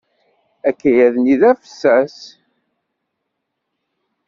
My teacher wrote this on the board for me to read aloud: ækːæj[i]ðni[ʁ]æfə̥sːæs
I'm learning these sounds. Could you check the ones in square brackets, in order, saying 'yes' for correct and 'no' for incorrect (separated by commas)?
no, no